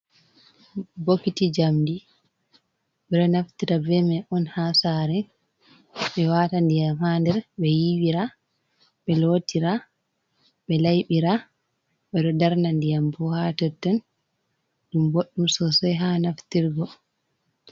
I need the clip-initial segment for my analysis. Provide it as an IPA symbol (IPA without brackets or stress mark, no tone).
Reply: b